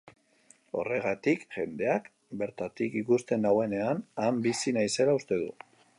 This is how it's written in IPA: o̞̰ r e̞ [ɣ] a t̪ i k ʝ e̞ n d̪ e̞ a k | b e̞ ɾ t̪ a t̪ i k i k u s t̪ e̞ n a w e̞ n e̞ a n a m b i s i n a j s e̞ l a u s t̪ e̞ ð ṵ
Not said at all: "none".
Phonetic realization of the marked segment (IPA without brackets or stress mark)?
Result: ɣ